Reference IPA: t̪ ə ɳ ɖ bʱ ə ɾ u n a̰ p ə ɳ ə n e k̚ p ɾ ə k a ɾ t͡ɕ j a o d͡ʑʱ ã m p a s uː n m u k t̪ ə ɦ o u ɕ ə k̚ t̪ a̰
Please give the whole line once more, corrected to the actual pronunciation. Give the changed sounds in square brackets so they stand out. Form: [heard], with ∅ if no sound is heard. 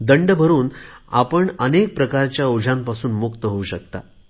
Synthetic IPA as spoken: [d̪] ə ɳ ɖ bʱ ə ɾ [uː] n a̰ p ə ɳ ə n e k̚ p ɾ ə k a ɾ t͡ɕ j a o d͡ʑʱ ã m p a s uː n m u k t̪ ə ɦ o u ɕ ə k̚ t̪ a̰